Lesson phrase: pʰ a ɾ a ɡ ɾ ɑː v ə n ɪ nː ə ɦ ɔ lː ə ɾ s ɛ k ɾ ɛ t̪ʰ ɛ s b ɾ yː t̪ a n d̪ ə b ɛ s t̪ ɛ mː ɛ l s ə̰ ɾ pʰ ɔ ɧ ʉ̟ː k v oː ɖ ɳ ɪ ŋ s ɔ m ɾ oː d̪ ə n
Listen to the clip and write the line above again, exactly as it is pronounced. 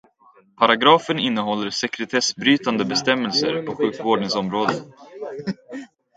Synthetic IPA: pʰ a ɾ a ɡ ɾ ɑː f ə n ɪ nː ə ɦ ɔ lː ə ɾ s ɛ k ɾ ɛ t̪ʰ ɛ s b ɾ yː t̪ a n d̪ ə b ɛ s t̪ ɛ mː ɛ l s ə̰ ɾ pʰ ɔ ɧ ʉ̟ː k v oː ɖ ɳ ɪ ŋ s ɔ m ɾ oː d̪ ə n

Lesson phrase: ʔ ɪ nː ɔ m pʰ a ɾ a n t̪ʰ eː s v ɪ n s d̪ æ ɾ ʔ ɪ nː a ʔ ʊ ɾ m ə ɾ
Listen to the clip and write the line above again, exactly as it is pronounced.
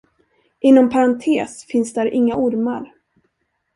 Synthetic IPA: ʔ ɪ nː ɔ m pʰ a ɾ a n t̪ʰ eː s f ɪ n s d̪ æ ɾ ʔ ɪ ŋː a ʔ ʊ ɾ m a ɾ

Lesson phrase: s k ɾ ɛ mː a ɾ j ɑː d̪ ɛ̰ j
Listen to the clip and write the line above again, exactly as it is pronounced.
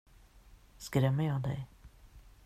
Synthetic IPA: s k ɾ ɛ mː ə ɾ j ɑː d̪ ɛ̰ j

